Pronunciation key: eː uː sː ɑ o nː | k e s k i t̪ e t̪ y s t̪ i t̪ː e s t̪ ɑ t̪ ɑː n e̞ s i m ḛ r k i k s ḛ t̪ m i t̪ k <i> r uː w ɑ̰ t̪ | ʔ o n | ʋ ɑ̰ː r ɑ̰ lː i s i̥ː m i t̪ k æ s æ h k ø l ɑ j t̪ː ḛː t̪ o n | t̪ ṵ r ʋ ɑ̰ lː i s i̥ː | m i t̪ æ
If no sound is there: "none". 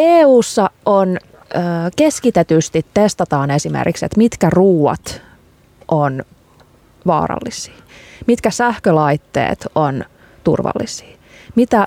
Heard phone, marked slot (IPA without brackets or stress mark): æ